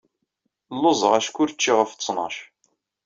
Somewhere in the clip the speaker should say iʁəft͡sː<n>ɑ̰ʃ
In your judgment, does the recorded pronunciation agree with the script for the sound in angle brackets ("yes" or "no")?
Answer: yes